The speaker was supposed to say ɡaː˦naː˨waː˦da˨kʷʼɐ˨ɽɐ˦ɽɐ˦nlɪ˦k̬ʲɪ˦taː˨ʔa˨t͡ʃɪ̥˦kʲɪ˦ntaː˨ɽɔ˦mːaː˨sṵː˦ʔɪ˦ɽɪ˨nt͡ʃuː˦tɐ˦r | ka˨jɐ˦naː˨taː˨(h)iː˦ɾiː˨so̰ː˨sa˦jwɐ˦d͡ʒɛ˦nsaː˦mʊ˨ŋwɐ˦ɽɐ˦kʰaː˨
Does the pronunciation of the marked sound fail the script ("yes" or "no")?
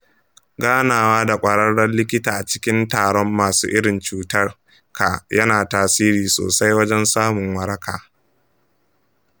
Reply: yes